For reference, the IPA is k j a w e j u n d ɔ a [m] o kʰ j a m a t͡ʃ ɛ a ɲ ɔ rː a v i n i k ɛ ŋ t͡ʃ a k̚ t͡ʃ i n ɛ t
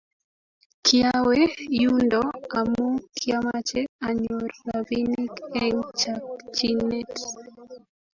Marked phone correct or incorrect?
correct